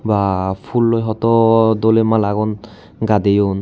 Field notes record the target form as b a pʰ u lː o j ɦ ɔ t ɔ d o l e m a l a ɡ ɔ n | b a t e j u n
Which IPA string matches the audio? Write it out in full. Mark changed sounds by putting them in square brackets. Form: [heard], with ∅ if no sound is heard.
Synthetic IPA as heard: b a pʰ u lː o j ɦ ɔ t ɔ d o l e m a l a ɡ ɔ n | [ɡ] a [d] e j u n